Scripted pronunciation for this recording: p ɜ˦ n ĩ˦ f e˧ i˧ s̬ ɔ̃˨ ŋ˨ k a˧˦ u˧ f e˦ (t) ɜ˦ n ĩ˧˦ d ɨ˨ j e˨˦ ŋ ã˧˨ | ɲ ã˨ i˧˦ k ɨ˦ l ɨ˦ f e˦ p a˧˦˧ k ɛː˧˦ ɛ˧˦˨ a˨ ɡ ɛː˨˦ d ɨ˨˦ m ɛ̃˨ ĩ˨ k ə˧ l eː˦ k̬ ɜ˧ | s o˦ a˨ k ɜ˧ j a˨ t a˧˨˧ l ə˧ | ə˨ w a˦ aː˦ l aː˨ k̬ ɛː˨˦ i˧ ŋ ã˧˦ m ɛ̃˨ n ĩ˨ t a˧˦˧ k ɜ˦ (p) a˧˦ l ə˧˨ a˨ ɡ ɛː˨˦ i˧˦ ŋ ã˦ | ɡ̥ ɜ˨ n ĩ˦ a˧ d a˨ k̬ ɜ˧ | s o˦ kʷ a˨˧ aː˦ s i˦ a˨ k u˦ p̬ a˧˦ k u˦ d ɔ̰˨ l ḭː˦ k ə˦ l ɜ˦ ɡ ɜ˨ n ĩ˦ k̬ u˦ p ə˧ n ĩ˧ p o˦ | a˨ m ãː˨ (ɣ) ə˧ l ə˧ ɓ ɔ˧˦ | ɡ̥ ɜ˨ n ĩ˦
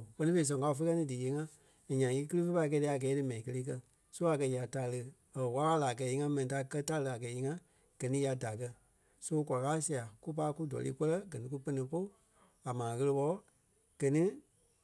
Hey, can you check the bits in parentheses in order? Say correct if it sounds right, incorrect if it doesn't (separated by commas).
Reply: incorrect, incorrect, correct